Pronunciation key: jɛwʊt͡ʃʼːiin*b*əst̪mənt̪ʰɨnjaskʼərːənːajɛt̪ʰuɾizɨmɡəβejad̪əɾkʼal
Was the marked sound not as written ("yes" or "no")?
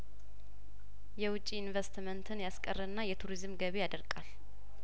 yes